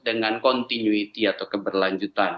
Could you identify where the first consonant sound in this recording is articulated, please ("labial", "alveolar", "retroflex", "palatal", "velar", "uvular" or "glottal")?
alveolar